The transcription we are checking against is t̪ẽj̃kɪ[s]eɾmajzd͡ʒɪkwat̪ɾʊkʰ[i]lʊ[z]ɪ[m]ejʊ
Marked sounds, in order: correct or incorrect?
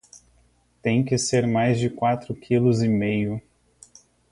correct, correct, correct, correct

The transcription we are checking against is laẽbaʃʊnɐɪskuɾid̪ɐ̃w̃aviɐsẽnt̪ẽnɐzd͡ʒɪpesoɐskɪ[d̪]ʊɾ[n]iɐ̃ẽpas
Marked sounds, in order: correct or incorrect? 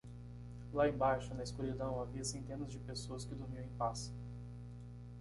correct, incorrect: m

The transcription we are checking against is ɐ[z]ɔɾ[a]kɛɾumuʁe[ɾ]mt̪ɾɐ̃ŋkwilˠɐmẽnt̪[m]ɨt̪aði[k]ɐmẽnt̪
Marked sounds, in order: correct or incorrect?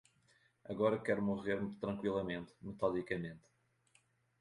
incorrect: ɣ, incorrect: ɐ, correct, correct, correct

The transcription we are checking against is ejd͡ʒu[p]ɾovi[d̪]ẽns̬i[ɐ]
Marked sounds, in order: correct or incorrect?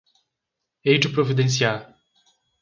correct, correct, incorrect: a

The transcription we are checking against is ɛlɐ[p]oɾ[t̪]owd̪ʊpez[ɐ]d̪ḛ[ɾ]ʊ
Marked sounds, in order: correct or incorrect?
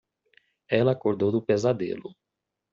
incorrect: k, incorrect: d̪, incorrect: a, incorrect: l

